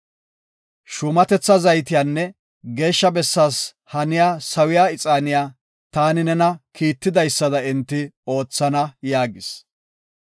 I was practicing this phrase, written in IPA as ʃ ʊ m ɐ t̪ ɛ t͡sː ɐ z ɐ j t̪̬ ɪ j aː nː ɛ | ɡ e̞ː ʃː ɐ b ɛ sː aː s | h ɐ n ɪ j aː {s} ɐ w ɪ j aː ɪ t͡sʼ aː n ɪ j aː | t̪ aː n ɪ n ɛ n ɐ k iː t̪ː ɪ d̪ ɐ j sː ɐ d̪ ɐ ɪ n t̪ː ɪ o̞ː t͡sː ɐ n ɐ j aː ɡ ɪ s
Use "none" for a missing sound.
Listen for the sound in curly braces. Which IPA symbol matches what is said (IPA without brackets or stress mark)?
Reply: s